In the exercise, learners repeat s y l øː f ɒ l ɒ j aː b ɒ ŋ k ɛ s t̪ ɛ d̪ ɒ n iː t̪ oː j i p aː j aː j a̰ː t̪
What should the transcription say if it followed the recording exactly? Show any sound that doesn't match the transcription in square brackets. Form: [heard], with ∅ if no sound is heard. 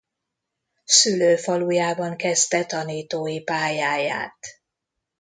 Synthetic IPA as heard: s y l øː f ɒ l [u] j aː b ɒ ŋ k ɛ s t̪ ɛ [t̪] ɒ n iː t̪ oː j i p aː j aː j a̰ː t̪